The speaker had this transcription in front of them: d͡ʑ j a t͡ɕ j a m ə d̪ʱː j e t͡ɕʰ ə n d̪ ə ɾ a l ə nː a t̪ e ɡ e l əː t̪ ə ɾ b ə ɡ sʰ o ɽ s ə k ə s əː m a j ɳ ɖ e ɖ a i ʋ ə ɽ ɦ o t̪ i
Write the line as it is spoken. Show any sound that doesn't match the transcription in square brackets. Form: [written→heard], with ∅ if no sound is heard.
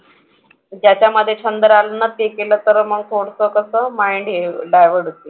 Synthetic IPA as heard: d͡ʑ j a t͡ɕ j a m ə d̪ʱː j e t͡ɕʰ ə n d̪ ə ɾ a l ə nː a t̪ e [ɡ→k] e l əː t̪ ə ɾ [b→m] ə ɡ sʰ o ɽ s ə k ə s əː m a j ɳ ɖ e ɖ a [i→j] ʋ ə ɽ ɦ o t̪ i